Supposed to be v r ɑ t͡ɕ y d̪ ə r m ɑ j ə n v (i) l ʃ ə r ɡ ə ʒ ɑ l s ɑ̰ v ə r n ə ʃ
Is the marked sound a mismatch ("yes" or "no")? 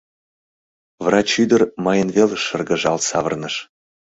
yes